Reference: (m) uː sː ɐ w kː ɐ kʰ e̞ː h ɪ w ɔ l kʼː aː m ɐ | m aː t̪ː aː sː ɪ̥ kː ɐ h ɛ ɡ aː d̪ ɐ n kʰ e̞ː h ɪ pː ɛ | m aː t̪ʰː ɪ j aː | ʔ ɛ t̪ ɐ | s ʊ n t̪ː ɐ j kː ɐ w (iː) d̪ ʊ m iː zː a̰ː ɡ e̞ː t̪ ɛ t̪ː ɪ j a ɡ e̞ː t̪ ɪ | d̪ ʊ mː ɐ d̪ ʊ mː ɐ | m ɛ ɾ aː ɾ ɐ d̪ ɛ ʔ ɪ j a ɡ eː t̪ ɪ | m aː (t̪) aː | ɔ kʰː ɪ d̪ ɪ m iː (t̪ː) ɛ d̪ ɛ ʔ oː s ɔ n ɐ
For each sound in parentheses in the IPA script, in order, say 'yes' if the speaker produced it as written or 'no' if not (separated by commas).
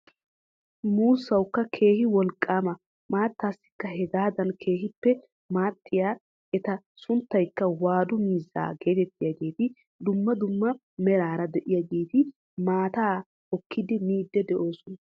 yes, no, yes, no